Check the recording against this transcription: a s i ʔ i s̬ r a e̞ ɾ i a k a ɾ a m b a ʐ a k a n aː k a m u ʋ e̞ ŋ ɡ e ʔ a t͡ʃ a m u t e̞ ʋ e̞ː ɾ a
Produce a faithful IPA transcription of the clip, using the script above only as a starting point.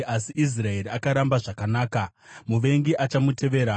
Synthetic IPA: a s i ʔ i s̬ r a e̞ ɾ i a k a ɾ a m b a ʐ a k a n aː k a m u ʋ e̞ ŋ ɡ i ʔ a t͡ʃ a m u t e̞ ʋ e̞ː ɾ a